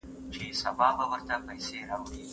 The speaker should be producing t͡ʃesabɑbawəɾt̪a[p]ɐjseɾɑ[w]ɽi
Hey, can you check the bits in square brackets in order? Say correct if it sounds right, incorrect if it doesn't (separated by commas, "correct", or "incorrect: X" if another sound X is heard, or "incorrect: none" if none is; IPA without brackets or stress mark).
correct, correct